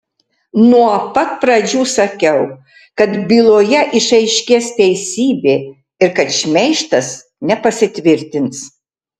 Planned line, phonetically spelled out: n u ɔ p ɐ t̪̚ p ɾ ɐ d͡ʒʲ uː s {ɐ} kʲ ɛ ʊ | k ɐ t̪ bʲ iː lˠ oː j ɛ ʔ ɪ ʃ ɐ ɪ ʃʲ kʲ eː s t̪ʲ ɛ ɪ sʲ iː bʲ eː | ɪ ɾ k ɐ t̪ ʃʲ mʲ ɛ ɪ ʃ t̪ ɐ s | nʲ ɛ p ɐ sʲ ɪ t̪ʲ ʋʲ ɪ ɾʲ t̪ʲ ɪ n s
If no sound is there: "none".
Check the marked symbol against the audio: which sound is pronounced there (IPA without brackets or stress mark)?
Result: ɐ